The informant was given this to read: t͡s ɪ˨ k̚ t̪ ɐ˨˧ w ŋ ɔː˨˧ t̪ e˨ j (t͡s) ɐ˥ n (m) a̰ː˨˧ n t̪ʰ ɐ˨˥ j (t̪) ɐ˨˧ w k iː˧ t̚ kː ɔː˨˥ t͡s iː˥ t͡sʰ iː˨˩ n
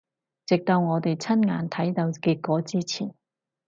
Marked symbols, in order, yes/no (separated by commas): no, no, yes